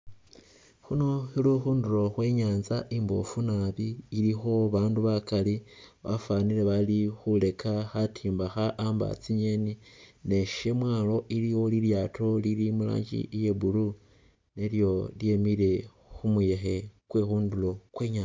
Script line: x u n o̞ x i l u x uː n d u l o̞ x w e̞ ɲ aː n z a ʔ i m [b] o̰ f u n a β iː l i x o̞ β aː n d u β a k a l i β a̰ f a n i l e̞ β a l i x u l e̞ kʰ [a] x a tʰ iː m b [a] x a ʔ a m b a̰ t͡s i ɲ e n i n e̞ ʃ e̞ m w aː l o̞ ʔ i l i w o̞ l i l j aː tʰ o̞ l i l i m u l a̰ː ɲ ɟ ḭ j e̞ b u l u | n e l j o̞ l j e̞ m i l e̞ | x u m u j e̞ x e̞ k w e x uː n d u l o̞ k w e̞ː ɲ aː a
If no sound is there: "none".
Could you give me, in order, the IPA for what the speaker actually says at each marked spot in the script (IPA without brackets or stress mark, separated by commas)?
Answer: b, a, a